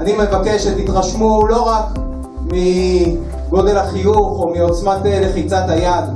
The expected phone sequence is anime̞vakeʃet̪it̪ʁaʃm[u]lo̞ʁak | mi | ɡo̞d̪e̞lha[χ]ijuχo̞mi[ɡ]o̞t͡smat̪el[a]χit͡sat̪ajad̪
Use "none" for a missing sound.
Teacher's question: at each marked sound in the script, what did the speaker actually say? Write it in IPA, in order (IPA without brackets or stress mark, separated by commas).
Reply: u, χ, none, e